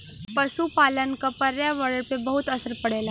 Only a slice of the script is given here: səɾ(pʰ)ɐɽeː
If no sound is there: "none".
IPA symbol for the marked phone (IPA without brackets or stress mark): p